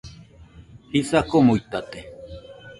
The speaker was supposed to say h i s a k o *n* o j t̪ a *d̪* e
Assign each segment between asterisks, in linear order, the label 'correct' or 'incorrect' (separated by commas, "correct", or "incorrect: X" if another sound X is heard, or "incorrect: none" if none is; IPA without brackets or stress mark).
incorrect: m, incorrect: t̪